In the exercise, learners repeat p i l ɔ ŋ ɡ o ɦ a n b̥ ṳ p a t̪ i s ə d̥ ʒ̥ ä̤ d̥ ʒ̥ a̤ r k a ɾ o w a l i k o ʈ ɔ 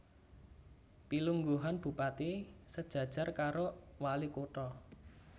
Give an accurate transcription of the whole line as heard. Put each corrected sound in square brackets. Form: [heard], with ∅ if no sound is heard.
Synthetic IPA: p i l [u] ŋ ɡ [u] ɦ a n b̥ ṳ p a t̪ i s ə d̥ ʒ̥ ä̤ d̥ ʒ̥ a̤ r k a ɾ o w a l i k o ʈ ɔ